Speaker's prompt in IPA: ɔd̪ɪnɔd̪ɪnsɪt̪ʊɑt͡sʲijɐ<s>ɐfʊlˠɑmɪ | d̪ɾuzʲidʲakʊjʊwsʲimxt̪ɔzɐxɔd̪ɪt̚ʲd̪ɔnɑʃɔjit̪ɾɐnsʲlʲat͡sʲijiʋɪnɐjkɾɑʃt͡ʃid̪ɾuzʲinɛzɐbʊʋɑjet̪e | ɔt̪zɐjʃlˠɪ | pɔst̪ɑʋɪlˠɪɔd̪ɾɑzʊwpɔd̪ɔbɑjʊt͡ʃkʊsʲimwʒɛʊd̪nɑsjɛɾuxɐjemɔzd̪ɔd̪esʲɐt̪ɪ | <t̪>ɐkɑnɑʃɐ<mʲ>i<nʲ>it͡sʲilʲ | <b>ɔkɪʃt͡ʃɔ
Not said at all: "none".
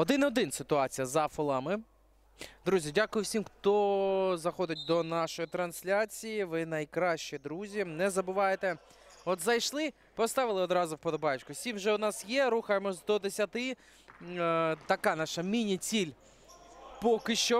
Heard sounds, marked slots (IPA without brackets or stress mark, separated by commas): z, t̪, mʲ, nʲ, p